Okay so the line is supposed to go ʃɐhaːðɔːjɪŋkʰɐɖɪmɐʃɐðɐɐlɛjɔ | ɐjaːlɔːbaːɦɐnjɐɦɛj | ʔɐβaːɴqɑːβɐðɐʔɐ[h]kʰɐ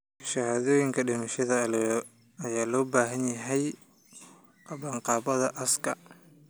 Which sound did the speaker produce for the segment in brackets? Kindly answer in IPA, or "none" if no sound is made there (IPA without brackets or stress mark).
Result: s